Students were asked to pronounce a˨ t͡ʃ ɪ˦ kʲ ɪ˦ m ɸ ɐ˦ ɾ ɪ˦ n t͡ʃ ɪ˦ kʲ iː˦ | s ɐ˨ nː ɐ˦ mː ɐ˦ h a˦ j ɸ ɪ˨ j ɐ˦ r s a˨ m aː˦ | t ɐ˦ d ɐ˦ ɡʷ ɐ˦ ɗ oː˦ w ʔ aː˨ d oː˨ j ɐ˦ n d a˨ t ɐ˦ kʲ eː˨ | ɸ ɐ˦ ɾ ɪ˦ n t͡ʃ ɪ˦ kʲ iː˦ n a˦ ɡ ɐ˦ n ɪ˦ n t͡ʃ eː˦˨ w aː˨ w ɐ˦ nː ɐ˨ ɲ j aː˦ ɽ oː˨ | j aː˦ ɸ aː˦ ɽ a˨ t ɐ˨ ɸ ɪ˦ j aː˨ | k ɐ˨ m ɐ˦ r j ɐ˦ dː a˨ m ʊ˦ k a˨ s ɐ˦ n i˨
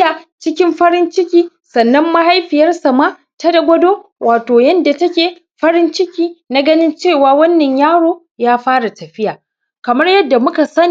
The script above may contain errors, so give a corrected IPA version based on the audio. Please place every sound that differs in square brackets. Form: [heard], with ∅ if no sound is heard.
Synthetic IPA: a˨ t͡ʃ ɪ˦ kʲ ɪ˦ m ɸ ɐ˦ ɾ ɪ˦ n t͡ʃ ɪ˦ kʲ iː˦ | s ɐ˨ nː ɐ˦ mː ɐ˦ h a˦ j ɸ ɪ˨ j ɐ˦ r s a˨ m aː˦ | t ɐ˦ d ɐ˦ ɡʷ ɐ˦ [d] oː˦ w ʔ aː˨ [t] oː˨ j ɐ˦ n d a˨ t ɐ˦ kʲ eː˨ | ɸ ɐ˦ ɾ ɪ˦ n t͡ʃ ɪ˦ kʲ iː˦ n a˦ ɡ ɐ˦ n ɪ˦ n t͡ʃ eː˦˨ w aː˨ w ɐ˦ nː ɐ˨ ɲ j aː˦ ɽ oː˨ | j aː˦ ɸ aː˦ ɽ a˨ t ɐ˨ ɸ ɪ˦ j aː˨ | k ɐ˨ m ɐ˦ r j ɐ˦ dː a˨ m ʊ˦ k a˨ s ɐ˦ n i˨